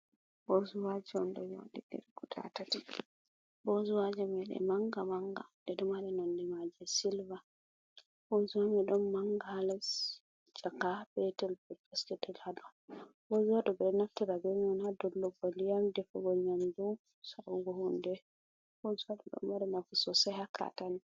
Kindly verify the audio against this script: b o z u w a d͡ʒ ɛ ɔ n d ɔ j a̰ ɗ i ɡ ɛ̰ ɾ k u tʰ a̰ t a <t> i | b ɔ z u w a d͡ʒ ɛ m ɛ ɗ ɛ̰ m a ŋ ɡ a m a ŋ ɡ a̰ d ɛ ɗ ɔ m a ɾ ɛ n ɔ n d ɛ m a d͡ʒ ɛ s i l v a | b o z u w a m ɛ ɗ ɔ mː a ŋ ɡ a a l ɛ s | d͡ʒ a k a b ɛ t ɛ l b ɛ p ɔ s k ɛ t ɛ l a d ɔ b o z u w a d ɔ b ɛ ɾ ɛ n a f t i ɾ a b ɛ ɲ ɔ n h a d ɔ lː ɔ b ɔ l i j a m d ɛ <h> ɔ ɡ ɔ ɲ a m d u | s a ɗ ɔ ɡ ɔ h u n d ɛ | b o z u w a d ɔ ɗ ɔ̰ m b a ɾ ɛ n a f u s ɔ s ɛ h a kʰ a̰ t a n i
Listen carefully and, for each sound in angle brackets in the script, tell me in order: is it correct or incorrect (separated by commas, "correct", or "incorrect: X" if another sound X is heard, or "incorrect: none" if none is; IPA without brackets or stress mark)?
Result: correct, incorrect: f